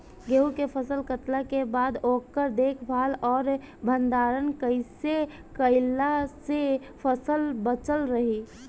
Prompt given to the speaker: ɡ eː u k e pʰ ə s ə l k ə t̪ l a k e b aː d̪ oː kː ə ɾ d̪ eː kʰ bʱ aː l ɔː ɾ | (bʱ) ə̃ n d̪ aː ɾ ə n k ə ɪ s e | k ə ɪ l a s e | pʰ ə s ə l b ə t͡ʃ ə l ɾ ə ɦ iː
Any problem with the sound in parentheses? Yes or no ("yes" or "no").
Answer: no